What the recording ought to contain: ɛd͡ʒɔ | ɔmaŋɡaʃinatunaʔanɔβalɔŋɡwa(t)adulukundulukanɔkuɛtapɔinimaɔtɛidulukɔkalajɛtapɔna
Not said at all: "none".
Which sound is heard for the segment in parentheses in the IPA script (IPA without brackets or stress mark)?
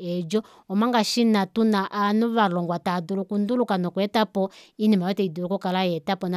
t